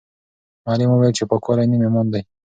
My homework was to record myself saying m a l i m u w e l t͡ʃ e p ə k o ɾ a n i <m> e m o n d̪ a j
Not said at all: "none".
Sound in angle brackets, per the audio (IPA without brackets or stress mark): m